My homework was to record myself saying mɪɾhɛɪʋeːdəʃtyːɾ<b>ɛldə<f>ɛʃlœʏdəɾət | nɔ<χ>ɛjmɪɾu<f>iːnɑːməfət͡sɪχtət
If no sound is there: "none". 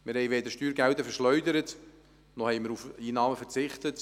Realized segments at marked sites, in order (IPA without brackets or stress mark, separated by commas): ɡ, f, h, f